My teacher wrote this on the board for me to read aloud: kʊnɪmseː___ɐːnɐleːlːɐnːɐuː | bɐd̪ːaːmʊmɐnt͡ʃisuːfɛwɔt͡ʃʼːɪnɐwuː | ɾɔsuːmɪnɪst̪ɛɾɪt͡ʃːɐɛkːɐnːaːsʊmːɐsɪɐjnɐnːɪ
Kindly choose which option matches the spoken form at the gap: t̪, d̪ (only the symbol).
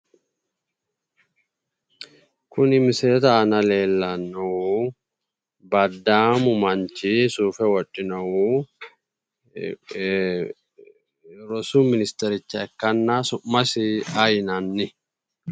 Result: t̪